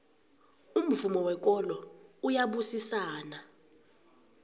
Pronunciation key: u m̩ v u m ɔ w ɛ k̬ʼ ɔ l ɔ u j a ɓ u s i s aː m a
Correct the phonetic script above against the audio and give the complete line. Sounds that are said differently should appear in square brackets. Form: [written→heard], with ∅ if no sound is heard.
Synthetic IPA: u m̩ v u m ɔ w ɛ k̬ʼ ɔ l ɔ u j a ɓ u s i s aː [m→n] a